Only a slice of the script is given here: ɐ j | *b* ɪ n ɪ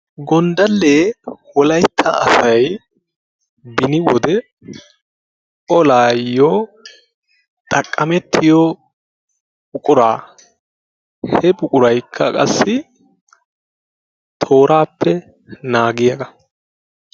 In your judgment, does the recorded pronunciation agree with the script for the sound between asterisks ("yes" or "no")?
yes